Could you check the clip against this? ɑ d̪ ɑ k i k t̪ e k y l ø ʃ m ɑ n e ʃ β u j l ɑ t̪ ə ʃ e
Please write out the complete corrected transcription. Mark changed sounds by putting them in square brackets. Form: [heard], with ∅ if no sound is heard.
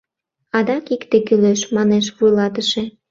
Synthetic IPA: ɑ d̪ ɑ k i k t̪ e k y l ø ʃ m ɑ n e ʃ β u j l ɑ t̪ ə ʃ e